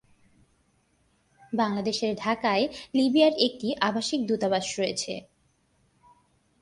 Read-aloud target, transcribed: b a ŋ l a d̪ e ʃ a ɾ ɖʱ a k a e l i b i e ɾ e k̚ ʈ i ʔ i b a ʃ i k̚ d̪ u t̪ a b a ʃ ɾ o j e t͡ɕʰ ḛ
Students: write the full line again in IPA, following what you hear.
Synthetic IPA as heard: b a ŋ l a d̪ e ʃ e ɾ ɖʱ a k a e l i b i a ɾ e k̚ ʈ i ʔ a b a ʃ i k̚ d̪ u t̪ a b a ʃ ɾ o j e t͡ɕʰ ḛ